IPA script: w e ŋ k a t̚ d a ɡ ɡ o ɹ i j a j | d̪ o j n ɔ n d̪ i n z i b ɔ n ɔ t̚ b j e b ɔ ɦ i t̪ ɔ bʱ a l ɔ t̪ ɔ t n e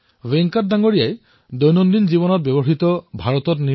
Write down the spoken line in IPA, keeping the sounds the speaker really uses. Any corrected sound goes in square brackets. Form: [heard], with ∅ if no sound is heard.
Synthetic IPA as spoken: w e ŋ k a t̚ d a [ŋ] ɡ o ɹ i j a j | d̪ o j n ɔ n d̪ i n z i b ɔ n ɔ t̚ b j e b ɔ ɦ i t̪ ɔ bʱ a [ɹ] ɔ t̪ ɔ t n [i]